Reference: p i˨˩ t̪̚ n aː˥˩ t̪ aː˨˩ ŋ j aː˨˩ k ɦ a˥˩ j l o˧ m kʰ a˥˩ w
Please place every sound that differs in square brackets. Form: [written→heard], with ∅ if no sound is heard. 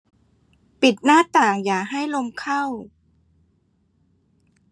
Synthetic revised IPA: p i˨˩ t̪̚ n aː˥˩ t̪ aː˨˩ ŋ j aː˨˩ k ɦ a˥˩ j l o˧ m kʰ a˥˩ w